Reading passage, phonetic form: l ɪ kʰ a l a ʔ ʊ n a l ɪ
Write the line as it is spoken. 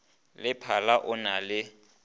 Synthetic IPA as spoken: l ɪ pʰ a l a ʔ ʊ n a l ɪ

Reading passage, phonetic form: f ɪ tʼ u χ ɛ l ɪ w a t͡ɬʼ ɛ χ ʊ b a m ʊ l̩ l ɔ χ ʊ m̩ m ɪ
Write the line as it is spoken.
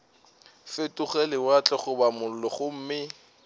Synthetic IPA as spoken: f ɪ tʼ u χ ɛ l ɪ w a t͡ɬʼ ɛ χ ʊ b a m ʊ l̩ l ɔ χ ʊ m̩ m ɪ

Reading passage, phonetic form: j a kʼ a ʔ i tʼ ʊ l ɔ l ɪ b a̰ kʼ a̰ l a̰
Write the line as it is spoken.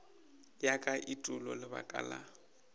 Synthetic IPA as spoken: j a kʼ a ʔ i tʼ ʊ l ɔ l ɪ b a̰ kʼ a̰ l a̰

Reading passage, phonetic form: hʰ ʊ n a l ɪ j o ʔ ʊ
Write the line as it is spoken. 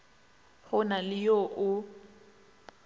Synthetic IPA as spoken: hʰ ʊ n a l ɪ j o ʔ ʊ

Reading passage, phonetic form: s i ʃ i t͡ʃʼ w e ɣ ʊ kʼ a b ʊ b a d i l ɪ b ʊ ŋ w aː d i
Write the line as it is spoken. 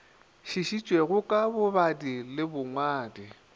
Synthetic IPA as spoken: ʃ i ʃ i t͡ʃʼ w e ɣ ʊ kʼ a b ʊ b a d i l ɪ b ʊ ŋ w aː d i

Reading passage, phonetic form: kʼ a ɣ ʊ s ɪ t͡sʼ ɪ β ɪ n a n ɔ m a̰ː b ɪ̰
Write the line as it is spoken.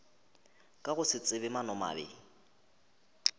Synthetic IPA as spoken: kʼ a ɣ ʊ s ɪ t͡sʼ ɪ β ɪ m a n ɔ m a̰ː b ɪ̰

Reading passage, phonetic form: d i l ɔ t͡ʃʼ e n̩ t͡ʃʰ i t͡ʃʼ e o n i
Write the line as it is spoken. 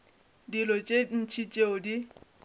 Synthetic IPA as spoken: d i l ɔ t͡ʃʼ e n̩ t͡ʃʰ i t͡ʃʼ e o d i

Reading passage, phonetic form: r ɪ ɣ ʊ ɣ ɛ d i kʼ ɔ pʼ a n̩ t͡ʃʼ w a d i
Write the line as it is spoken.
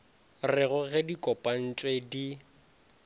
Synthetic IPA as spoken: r ɪ ɣ ʊ ɣ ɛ d i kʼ ɔ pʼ a n̩ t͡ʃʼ w e d i

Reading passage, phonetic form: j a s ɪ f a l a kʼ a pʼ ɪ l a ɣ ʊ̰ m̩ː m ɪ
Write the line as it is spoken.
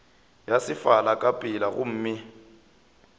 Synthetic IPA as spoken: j a s ɪ f a l a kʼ a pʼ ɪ l a ɣ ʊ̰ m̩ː m ɪ

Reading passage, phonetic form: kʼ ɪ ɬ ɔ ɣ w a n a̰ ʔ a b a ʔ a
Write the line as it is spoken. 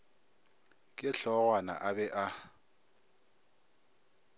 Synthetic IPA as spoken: kʼ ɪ ɬ ɔ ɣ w a n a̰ ʔ a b ɛ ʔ a

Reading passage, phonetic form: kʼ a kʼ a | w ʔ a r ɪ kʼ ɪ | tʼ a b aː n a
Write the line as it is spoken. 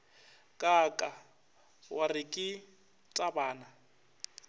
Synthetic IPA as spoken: kʼ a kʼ a | w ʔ a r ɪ kʼ ɪ | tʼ a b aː n a

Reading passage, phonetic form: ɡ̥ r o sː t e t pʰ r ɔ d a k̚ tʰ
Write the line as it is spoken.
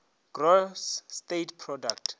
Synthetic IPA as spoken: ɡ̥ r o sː t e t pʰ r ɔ d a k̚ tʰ

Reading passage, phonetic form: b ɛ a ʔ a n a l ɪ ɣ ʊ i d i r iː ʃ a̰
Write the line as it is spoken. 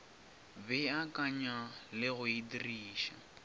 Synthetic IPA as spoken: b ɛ a k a ɲ a l ɪ ɣ ʊ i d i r iː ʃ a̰

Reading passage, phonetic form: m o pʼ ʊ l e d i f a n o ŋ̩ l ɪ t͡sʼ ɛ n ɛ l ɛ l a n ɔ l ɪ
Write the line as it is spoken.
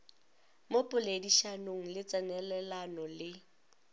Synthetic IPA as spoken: m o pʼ ʊ l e d i ʃ a n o ŋ̩ l ɪ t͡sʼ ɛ n ɛ l ɛ l a n ɔ l ɪ

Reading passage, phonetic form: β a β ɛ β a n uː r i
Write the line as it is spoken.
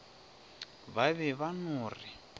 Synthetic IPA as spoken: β a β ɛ β a n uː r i

